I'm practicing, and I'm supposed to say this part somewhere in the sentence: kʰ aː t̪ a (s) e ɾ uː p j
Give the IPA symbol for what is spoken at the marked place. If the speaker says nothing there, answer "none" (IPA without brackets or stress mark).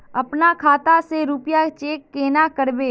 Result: s